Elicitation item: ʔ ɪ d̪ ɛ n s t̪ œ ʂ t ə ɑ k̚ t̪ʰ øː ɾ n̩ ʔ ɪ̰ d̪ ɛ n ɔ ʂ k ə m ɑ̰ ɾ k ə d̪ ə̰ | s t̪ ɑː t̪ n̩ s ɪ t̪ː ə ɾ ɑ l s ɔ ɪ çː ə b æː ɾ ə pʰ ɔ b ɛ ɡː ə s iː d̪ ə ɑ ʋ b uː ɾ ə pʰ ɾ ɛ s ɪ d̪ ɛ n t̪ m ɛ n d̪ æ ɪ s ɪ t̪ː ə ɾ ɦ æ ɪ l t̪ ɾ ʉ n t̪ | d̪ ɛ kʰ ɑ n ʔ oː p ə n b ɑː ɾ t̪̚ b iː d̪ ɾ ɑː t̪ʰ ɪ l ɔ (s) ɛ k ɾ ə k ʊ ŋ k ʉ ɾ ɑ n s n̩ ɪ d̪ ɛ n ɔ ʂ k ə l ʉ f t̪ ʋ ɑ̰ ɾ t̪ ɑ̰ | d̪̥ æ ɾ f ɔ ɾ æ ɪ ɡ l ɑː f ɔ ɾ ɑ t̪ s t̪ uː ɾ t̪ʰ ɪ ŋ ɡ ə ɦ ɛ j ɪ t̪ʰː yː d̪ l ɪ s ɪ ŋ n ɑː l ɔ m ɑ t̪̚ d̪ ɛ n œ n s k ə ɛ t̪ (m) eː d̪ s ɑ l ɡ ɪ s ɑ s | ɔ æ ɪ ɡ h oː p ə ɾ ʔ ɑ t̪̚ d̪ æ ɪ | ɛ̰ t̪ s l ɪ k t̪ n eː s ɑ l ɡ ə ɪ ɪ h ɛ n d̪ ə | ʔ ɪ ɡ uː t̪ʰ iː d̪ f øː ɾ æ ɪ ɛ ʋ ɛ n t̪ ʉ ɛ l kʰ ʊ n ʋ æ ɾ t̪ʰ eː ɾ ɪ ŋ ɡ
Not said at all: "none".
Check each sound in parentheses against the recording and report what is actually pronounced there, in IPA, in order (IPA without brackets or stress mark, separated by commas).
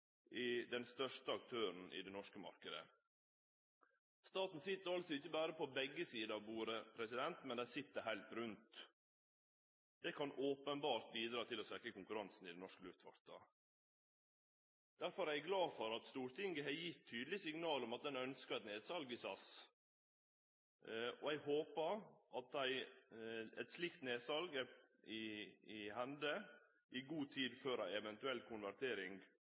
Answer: s, n